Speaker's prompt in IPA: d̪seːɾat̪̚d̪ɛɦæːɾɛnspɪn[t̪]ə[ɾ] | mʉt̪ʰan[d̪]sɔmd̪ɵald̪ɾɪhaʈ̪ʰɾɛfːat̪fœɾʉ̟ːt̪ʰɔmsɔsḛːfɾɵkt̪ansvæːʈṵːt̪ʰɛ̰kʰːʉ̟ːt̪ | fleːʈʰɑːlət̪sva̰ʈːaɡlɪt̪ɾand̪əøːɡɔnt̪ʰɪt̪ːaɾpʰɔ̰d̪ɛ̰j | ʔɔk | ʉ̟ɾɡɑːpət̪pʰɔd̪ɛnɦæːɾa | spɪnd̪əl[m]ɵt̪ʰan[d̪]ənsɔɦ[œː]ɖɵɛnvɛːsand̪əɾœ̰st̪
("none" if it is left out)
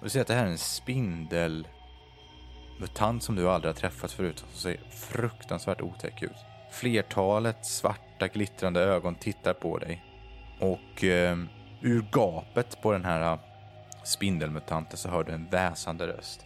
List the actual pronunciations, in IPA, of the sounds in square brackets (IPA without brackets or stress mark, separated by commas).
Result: d̪, l, t̪, m, t̪, œː